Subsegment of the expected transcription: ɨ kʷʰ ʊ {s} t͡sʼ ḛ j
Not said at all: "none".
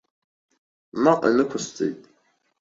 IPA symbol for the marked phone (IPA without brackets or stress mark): s